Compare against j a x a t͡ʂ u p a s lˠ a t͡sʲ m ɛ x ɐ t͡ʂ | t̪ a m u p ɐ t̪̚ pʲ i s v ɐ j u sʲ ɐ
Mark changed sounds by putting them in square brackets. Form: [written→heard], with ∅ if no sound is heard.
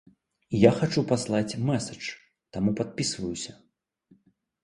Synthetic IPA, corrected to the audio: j a x a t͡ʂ u p a s lˠ a t͡sʲ m ɛ [x→s] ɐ t͡ʂ | t̪ a m u p [ɐ→a] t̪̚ pʲ i s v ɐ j u sʲ ɐ